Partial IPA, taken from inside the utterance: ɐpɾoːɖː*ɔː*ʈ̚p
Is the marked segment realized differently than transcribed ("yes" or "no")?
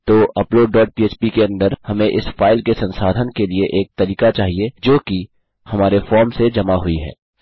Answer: no